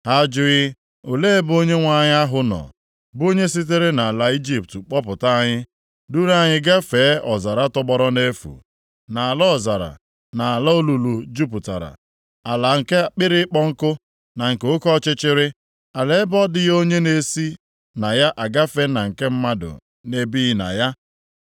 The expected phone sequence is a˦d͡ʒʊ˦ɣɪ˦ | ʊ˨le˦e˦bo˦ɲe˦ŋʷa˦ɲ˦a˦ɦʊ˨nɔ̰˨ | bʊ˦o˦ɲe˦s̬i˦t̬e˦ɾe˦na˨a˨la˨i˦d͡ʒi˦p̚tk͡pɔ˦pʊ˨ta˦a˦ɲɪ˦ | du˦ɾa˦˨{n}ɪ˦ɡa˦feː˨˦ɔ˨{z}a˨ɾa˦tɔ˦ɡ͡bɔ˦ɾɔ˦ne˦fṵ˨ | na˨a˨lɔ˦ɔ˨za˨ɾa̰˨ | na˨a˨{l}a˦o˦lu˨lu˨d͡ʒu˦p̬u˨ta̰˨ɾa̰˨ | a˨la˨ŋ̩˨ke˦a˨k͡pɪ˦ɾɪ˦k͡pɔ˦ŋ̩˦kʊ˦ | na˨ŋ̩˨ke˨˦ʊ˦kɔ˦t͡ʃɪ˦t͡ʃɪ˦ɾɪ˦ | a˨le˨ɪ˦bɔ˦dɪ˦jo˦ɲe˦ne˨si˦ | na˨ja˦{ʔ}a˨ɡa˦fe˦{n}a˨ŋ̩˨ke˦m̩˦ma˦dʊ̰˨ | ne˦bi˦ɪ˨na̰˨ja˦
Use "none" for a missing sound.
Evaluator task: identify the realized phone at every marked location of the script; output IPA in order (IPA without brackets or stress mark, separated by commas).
ɲ, z, l, ʔ, n